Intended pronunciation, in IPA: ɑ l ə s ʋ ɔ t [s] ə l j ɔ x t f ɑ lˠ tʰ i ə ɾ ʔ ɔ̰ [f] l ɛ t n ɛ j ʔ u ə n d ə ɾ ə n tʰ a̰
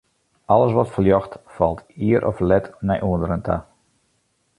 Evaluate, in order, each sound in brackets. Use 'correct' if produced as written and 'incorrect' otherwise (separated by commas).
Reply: incorrect, correct